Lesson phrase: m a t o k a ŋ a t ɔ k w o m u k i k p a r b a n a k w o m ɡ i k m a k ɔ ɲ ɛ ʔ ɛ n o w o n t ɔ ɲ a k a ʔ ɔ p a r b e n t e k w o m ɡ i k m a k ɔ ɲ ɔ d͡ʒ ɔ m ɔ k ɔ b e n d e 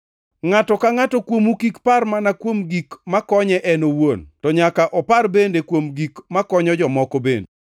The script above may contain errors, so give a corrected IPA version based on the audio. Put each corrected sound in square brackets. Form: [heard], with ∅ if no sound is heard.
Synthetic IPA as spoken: [ŋ] a t [ɔ] k a ŋ a t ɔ k w o m u k i k p a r [m] a n a k w o m ɡ i k m a k ɔ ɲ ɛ ʔ ɛ n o w o n t ɔ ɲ a k a ʔ ɔ p a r b e n [d] e k w o m ɡ i k m a k ɔ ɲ ɔ d͡ʒ ɔ m ɔ k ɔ b e n d e